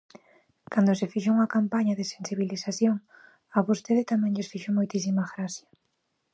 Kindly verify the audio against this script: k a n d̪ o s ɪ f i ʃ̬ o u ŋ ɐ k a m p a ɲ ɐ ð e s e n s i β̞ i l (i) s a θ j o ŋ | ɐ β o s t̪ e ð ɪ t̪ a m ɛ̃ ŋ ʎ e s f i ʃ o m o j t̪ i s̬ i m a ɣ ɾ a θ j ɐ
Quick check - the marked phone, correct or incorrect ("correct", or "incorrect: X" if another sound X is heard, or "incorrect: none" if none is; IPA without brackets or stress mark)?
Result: correct